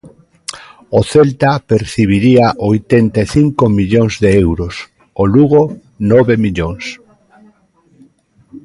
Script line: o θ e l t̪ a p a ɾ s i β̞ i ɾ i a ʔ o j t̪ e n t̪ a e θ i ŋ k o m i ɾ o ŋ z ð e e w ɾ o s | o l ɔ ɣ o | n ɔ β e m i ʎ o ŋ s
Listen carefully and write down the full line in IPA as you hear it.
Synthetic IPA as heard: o θ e l t̪ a p e ɾ θ i β̞ i ɾ i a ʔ o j t̪ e n t̪ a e θ i ŋ k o m i ʎ o ŋ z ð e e w ɾ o s | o l u ɣ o | n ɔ β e m i ʎ o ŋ s